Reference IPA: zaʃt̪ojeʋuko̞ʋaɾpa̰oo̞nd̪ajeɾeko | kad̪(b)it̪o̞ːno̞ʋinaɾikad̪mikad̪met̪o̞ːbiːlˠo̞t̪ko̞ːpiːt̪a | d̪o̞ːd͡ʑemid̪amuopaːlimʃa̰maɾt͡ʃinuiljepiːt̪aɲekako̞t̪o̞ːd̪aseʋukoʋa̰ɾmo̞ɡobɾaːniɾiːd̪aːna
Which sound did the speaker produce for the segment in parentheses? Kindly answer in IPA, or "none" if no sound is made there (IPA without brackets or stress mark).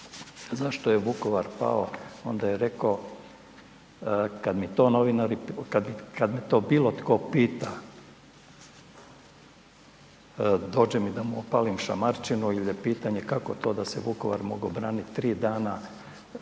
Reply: m